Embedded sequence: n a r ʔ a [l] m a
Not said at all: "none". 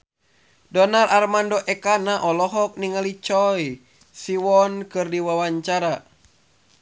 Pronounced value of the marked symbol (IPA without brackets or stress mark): r